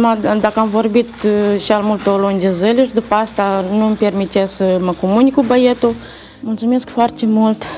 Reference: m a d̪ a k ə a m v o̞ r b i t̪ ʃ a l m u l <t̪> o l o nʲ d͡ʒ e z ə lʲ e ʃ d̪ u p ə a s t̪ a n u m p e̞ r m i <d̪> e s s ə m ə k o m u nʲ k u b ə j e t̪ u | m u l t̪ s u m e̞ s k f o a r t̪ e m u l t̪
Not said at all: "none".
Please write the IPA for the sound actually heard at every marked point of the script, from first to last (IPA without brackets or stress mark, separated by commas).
t̪, t̪